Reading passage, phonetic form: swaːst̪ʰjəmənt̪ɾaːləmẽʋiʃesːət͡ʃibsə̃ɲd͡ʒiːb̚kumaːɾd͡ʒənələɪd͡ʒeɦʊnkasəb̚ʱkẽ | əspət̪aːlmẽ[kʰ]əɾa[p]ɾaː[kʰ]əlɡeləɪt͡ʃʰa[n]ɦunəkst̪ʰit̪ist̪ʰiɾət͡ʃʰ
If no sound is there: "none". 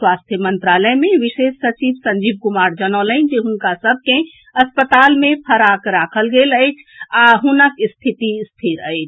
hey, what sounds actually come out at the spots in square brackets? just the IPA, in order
pʰ, k, kʰ, none

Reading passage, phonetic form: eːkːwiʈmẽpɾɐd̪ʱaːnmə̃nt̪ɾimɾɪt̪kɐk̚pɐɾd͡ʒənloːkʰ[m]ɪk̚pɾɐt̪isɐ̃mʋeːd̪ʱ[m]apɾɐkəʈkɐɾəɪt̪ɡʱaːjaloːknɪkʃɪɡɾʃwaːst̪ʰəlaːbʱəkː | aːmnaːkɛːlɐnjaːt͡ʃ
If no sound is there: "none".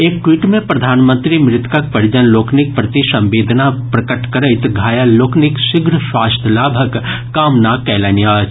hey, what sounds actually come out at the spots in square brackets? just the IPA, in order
n, n

